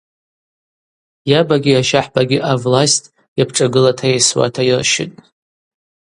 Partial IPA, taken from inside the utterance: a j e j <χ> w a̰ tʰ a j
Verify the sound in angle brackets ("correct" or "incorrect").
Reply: incorrect